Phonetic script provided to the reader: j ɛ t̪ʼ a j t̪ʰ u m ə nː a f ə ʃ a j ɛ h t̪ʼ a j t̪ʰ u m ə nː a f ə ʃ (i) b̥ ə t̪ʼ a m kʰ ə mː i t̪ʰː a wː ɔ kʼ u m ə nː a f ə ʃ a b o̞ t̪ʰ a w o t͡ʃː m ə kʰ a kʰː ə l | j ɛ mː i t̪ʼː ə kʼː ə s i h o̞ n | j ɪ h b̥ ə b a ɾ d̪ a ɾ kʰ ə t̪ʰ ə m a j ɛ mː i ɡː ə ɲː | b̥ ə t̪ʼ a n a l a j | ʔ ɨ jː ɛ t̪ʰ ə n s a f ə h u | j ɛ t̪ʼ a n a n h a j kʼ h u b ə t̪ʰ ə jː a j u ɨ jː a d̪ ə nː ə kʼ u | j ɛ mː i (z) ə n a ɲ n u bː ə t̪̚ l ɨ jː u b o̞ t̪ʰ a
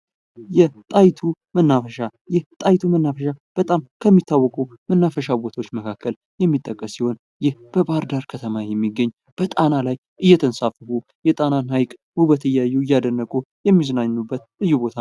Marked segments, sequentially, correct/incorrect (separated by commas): incorrect, correct